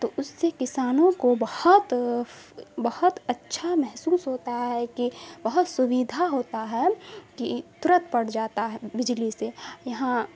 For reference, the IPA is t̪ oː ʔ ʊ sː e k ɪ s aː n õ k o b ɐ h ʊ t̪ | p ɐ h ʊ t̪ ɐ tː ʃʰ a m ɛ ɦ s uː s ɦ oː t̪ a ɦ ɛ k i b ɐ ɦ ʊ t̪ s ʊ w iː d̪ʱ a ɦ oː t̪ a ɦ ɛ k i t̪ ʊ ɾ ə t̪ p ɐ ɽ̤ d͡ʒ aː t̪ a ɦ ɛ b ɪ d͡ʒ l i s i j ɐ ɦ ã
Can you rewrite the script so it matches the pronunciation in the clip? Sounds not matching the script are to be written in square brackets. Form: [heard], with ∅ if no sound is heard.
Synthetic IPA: t̪ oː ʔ ʊ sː e k ɪ s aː n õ k o b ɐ h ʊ t̪ | [b] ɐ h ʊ t̪ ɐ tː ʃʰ a m ɛ ɦ s uː s ɦ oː t̪ a ɦ ɛ k i b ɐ ɦ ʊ t̪ s ʊ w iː d̪ʱ a ɦ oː t̪ a ɦ ɛ k i t̪ ʊ ɾ ə t̪ p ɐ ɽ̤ d͡ʒ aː t̪ a ɦ ɛ b ɪ d͡ʒ l i s [e] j ɐ ɦ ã